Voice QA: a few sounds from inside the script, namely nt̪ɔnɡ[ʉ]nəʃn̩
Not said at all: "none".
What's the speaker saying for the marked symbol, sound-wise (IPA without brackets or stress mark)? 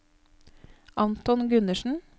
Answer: ʉ